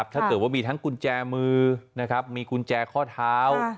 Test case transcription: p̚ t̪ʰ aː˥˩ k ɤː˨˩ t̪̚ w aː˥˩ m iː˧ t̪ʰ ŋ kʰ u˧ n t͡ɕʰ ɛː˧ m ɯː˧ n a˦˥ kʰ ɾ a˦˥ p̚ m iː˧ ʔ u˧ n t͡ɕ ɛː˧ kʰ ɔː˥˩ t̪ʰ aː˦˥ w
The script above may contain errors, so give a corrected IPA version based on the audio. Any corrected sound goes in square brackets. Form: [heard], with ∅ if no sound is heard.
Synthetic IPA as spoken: p̚ t̪ʰ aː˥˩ k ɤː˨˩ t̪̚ w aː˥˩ m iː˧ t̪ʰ ŋ [k] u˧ n [t͡ɕ] ɛː˧ m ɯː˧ n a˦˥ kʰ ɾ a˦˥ p̚ m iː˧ [k] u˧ n t͡ɕ ɛː˧ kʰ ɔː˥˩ t̪ʰ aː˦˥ w